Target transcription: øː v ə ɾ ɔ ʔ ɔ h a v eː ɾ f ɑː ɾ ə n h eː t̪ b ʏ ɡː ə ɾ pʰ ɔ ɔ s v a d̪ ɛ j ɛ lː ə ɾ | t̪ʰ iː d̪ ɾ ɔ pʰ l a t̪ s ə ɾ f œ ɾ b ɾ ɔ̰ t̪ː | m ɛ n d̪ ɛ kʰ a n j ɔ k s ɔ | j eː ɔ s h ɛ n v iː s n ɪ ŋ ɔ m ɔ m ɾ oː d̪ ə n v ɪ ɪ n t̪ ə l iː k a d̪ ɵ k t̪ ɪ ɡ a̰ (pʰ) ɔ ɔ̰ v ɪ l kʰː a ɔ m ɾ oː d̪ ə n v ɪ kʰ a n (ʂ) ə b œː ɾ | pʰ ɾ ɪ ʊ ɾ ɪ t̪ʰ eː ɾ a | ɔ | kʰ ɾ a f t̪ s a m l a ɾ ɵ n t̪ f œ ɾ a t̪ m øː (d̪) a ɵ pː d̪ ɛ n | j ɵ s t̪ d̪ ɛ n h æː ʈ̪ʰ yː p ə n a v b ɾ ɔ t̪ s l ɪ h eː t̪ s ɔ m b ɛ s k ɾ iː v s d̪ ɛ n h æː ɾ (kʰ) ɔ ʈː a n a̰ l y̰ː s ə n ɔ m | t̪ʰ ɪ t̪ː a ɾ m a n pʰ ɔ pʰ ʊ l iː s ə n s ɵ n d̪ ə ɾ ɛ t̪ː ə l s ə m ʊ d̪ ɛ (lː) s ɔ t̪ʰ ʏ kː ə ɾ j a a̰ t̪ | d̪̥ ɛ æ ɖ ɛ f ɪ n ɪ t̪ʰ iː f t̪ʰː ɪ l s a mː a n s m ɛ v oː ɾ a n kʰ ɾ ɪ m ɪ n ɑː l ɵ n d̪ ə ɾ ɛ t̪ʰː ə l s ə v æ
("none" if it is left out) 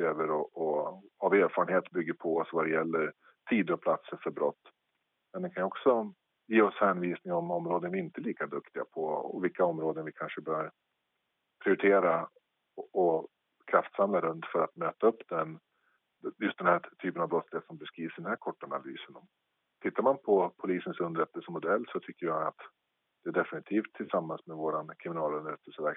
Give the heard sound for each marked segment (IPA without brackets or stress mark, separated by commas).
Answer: pʰ, ʂ, t̪, kʰ, lː